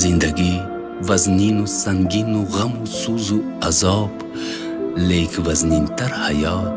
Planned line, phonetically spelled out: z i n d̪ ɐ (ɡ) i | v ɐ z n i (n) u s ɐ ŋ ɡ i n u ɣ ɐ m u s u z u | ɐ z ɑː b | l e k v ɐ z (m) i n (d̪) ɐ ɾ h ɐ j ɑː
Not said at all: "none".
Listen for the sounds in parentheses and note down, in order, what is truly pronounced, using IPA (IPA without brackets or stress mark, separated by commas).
ɡ, n, n, t̪